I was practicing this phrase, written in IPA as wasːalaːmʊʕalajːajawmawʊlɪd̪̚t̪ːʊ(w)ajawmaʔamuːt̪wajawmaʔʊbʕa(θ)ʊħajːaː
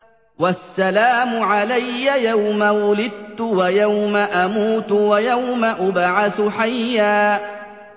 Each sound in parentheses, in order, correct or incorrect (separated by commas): correct, correct